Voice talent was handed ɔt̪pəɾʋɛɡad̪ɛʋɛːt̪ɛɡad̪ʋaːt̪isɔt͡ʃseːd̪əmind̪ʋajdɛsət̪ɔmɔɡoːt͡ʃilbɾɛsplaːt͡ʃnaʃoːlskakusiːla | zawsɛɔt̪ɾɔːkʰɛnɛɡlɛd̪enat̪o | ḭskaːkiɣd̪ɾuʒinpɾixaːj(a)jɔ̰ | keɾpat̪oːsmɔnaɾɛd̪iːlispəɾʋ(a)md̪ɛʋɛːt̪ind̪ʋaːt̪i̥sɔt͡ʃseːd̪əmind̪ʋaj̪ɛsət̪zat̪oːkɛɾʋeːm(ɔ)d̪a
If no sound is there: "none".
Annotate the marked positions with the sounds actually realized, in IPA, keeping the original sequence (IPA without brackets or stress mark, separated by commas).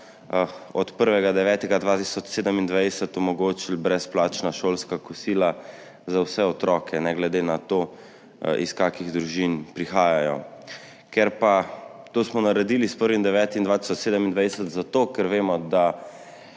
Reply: a, i, ɔ